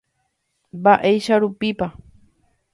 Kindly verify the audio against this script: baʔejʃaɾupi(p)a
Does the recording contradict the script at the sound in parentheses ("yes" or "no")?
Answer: no